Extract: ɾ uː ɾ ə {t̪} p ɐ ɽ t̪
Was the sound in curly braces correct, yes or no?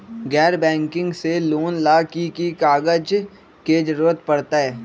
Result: yes